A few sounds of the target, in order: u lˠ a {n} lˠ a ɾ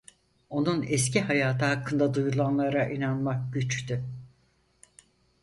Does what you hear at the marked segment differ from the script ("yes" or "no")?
no